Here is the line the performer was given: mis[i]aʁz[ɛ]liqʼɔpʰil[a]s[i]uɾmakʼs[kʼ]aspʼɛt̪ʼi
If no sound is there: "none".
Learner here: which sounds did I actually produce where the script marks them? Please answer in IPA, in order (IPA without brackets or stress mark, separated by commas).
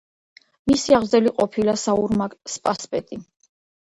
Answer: i, ɛ, a, a, pʼ